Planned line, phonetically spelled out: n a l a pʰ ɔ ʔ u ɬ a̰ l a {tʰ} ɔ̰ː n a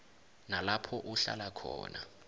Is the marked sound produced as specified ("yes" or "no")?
no